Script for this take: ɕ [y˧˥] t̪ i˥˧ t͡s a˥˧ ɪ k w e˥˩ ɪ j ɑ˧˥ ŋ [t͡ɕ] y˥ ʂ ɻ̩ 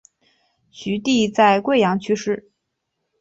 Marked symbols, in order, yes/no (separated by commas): yes, no